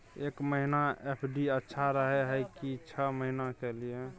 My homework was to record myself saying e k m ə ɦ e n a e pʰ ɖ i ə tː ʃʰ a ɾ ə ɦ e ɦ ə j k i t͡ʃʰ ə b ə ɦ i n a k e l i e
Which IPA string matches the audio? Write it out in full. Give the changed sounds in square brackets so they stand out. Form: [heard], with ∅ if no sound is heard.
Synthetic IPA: e k m ə ɦ [i] n a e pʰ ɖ i ə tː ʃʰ a ɾ ə ɦ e ɦ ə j k i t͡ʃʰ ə [m] ə ɦ i n a k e l i e